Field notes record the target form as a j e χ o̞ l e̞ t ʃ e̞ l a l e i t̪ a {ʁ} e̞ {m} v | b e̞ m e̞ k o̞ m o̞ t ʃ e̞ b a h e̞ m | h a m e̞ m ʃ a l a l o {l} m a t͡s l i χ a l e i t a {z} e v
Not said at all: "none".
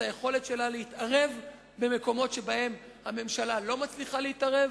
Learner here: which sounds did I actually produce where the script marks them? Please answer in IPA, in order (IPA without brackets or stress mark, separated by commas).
ʁ, none, none, ʁ